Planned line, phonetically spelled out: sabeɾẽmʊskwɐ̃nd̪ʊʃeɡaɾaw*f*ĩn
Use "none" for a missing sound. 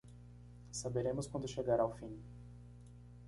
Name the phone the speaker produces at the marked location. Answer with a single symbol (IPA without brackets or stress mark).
f